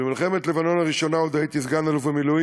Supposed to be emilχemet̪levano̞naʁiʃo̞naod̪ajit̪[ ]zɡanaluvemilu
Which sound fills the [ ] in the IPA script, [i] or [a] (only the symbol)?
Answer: i